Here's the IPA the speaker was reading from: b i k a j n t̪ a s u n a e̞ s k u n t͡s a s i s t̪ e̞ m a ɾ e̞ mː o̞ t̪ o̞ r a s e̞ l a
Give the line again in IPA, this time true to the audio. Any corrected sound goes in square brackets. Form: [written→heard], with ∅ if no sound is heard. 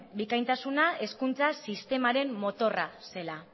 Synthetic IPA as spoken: b i k a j n t̪ a s u n a e̞ s k u n t͡s a s i s t̪ e̞ m a ɾ e̞ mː o̞ t̪ o̞ r a s e̞ l a